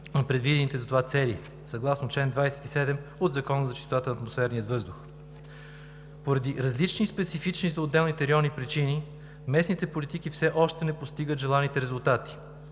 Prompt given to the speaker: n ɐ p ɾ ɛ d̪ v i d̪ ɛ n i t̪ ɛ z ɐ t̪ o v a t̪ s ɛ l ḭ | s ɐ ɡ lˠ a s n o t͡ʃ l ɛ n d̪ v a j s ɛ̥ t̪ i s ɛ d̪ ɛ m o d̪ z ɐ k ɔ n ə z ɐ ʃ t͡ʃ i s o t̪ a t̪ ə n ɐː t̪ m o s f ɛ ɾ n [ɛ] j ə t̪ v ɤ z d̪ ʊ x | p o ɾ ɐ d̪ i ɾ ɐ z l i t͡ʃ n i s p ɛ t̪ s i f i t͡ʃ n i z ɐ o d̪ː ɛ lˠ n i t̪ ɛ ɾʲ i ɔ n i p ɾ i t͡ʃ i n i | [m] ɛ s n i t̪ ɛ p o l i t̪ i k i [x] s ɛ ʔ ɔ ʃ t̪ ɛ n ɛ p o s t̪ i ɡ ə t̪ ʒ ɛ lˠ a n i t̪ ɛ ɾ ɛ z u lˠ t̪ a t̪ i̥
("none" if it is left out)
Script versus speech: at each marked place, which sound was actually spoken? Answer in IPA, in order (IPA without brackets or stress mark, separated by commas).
i, m, f